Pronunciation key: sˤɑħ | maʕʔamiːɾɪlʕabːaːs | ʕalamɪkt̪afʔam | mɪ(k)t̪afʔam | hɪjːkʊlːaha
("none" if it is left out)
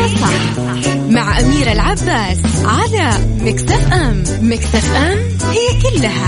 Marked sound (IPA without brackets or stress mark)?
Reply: k